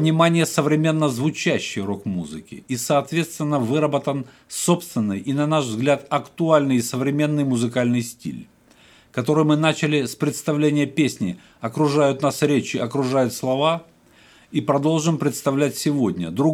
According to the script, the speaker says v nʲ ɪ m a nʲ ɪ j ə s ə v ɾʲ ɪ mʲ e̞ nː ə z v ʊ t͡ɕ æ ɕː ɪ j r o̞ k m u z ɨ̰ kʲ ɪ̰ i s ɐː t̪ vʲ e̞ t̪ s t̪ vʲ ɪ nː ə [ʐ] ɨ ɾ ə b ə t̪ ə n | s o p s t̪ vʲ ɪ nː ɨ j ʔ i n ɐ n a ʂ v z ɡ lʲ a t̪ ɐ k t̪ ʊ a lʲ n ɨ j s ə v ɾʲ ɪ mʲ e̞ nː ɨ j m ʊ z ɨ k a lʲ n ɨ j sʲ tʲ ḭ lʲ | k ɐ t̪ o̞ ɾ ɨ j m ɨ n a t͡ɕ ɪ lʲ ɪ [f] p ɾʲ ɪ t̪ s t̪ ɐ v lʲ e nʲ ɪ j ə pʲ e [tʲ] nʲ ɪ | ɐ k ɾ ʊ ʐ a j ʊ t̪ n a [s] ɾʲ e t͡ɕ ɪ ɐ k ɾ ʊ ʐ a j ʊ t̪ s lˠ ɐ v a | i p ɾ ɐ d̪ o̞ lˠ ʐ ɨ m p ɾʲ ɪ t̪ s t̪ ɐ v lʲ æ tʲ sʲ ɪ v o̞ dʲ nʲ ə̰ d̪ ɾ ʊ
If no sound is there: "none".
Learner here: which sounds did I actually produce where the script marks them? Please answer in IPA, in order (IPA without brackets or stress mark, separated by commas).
v, s, sʲ, s